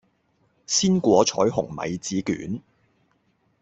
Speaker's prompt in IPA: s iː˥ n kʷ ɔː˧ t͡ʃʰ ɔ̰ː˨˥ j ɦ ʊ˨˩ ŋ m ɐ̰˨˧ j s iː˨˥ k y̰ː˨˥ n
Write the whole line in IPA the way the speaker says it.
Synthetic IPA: s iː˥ n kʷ ɔː˨˥ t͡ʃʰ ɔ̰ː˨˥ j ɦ ʊ˨˩ ŋ m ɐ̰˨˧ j t͡s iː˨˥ k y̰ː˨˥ n